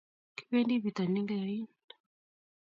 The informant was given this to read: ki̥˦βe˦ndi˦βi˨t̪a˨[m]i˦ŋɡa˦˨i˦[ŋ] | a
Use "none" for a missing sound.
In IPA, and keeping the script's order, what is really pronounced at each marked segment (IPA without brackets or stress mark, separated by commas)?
n, n